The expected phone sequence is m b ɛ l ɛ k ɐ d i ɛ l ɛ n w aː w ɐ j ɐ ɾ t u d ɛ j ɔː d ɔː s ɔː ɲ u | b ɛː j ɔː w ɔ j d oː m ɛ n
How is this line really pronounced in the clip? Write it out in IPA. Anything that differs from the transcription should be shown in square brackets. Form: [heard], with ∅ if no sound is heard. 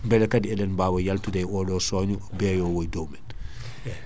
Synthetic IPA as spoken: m b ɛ l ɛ k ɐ d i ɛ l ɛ n [b] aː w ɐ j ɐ [l] t u d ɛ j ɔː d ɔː s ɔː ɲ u | b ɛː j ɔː w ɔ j d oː m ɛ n